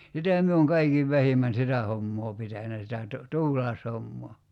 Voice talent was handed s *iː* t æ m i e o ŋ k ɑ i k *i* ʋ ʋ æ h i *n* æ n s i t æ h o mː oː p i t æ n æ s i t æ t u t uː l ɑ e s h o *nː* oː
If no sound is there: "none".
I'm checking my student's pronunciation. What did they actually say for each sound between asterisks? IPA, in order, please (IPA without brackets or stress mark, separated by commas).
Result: i, i, m, mː